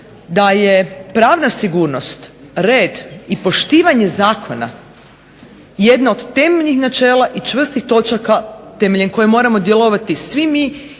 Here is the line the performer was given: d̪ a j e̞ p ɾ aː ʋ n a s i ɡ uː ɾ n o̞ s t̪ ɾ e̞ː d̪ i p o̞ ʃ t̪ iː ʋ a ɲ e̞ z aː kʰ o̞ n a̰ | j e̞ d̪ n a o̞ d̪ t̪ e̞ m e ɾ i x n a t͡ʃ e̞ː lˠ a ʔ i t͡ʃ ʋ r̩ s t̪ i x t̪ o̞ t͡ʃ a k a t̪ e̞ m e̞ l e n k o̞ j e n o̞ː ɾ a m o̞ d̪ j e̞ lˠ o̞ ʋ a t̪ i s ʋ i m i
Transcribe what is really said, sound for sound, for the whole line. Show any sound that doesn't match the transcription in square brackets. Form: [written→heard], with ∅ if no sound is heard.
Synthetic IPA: d̪ a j e̞ p ɾ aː ʋ n a s i ɡ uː ɾ n o̞ s t̪ ɾ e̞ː d̪ i p o̞ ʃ t̪ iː ʋ a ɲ e̞ z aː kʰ o̞ n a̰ | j e̞ d̪ n a o̞ d̪ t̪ e̞ m e [ɾ→ʎ] i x n a t͡ʃ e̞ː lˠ a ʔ i t͡ʃ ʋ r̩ s t̪ i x t̪ o̞ t͡ʃ a k a t̪ e̞ m e̞ [l→ʎ] e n k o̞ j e [n→m] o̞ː ɾ a m o̞ d̪ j e̞ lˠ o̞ ʋ a t̪ i s ʋ i m i